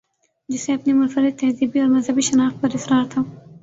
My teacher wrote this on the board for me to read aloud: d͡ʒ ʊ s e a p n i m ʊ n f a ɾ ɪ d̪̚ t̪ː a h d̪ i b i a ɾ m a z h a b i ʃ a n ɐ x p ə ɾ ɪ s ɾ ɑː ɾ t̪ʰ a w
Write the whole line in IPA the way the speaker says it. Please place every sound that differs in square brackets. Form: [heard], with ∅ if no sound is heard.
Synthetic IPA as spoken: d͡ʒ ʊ s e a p n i m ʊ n f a ɾ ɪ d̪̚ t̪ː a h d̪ i b i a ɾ m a z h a b i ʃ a n [ɑ] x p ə ɾ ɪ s ɾ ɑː ɾ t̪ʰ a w